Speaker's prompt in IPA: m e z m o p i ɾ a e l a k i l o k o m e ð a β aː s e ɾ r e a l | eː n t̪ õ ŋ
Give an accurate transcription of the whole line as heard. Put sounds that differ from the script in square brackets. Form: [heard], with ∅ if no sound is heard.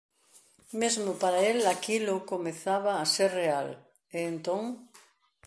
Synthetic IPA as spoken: m e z m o p [a] ɾ a e l a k i l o k o m e [θ] a β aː s e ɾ r e a l | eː n t̪ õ ŋ